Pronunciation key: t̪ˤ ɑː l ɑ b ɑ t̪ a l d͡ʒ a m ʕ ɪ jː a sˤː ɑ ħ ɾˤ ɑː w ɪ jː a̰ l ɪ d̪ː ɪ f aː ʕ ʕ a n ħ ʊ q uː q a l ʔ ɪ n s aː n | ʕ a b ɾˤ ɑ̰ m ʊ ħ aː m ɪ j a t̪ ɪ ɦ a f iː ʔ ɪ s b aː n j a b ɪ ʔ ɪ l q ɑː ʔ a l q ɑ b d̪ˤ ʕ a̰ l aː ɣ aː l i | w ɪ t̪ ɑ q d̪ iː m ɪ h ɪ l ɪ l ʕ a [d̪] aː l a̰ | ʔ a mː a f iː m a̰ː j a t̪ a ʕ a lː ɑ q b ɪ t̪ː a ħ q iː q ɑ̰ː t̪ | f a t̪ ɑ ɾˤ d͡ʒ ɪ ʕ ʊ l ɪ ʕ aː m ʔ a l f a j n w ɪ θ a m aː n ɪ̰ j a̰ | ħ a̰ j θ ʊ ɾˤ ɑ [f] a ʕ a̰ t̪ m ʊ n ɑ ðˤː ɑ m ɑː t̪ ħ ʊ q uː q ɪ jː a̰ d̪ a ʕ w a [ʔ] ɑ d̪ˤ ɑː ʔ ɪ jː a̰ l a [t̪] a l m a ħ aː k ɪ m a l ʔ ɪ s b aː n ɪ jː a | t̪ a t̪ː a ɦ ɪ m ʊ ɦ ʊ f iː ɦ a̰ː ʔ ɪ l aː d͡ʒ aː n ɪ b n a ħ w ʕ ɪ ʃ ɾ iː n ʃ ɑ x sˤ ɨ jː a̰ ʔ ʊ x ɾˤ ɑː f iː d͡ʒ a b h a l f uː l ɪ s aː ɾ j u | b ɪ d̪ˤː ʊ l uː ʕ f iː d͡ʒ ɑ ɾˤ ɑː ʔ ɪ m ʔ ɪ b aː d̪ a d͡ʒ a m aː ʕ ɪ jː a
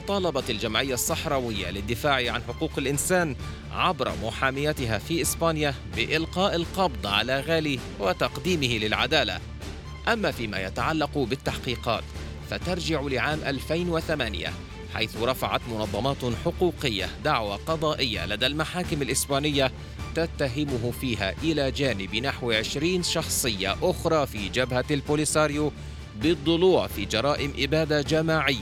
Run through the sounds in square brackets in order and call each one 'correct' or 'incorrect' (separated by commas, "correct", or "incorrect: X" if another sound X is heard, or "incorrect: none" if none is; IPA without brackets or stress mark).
correct, correct, incorrect: q, incorrect: d̪